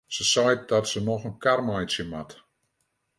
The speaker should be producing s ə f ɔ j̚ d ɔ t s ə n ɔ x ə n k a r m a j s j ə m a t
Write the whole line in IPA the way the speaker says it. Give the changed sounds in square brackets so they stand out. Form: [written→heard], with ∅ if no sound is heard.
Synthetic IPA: s ə [f→s] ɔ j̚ d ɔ t s ə n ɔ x ə n k a r m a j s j ə m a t